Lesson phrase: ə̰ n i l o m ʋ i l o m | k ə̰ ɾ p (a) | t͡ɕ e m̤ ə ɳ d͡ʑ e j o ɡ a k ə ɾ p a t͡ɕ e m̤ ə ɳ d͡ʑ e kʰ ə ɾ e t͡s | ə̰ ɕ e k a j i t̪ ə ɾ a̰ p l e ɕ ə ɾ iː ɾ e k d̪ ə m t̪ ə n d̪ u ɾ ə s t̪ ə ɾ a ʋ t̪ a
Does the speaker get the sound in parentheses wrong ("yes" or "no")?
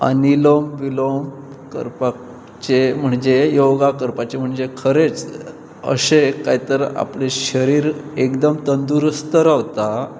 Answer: no